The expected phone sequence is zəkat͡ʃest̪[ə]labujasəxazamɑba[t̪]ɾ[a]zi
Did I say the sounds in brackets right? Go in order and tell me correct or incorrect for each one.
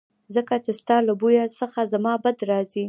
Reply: incorrect, incorrect, incorrect

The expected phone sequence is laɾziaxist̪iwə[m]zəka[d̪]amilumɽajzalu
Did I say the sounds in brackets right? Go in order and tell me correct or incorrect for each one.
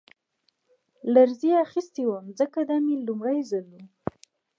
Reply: correct, correct

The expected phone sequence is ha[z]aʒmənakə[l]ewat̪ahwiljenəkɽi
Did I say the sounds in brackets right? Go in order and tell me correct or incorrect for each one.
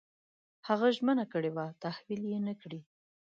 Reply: incorrect, incorrect

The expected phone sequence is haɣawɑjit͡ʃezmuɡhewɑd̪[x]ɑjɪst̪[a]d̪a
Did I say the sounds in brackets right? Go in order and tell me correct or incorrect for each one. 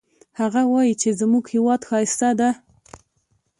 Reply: correct, correct

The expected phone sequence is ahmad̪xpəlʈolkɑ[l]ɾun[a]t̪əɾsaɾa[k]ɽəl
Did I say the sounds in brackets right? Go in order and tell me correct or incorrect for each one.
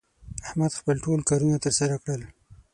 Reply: incorrect, correct, correct

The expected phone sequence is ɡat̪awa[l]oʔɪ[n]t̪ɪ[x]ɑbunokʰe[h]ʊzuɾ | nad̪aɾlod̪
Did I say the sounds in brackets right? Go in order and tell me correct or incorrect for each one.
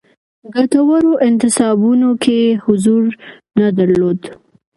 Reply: incorrect, correct, incorrect, correct

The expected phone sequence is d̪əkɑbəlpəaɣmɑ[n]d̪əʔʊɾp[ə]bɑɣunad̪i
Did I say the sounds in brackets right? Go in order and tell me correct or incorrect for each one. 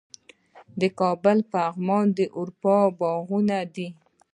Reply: correct, incorrect

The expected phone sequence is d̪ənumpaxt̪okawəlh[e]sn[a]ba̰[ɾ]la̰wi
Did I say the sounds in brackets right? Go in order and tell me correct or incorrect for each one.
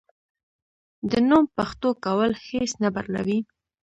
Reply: correct, correct, correct

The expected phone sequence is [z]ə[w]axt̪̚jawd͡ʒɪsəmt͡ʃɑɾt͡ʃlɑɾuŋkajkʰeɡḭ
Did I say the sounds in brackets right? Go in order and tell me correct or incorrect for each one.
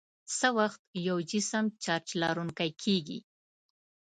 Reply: incorrect, correct

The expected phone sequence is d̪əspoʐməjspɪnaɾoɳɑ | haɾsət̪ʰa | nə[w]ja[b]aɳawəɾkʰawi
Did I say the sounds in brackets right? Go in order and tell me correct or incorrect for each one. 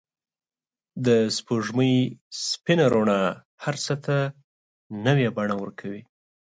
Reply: correct, correct

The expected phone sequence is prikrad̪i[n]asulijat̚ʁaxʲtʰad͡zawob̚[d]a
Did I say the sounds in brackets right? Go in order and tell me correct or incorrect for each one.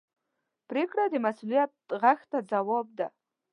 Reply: incorrect, correct

